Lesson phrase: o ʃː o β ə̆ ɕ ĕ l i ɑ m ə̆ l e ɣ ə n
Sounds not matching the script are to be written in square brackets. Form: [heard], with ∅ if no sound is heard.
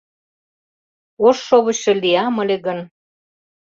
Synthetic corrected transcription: o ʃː o β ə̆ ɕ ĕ l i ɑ m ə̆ l e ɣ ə n